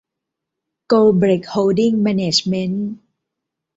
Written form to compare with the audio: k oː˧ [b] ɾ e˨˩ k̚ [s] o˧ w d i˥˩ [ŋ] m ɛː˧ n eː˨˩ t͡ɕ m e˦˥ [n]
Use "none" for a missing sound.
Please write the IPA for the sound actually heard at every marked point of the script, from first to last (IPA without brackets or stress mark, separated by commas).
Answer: b, h, ŋ, n